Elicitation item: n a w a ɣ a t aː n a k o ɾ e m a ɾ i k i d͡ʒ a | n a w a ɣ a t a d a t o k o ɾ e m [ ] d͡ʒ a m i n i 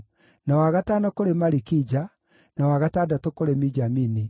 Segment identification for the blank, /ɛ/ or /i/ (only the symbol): i